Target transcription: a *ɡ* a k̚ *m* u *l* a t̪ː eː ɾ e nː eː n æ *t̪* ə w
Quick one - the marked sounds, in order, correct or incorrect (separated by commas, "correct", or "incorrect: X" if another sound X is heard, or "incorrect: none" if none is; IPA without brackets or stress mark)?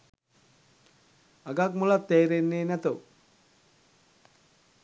correct, correct, correct, correct